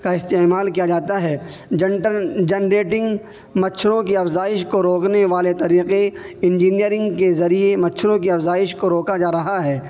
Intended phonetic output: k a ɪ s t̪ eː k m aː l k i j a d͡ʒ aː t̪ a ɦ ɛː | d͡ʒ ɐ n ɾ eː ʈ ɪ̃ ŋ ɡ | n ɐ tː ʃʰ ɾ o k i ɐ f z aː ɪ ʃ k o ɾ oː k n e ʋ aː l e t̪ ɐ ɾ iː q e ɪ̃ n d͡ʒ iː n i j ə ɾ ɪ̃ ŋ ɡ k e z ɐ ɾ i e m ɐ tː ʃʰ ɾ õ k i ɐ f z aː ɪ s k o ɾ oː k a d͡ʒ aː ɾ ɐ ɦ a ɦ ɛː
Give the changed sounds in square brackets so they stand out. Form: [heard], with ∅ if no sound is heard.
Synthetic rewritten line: k a ɪ s t̪ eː [∅] m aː l k i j a d͡ʒ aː t̪ a ɦ ɛː | d͡ʒ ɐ n ɾ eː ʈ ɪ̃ ŋ ɡ | [m] ɐ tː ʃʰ ɾ [õ] k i ɐ f z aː ɪ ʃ k o ɾ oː k n e ʋ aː l e t̪ ɐ ɾ iː q e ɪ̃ n d͡ʒ iː n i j ə ɾ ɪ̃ ŋ ɡ k e z ɐ ɾ i e m ɐ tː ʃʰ ɾ õ k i ɐ f z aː ɪ [ʃ] k o ɾ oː k a d͡ʒ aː ɾ ɐ ɦ a ɦ ɛː